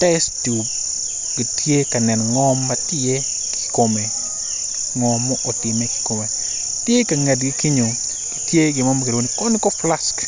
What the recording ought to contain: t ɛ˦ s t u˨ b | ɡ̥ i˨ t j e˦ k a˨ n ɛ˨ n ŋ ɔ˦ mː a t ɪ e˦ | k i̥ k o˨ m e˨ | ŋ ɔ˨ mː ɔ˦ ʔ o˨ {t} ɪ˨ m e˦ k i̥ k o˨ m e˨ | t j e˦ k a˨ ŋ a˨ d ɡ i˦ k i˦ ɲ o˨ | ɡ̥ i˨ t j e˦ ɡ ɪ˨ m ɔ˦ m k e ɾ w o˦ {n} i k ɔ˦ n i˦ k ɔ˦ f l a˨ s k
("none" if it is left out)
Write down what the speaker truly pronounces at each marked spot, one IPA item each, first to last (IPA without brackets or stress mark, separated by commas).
t, n